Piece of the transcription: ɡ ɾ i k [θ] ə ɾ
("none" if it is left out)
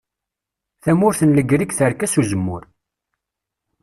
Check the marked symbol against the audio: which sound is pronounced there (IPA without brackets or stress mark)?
θ